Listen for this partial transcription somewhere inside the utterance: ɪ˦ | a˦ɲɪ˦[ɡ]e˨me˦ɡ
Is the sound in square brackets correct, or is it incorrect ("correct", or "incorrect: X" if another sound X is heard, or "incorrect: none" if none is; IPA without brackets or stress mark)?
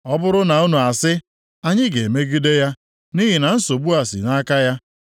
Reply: correct